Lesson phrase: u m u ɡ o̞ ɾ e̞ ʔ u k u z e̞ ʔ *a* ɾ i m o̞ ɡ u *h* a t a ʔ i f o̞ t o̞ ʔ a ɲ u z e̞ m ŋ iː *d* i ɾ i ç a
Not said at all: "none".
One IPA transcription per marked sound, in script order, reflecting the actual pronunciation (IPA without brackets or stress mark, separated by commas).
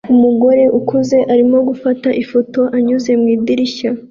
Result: a, f, d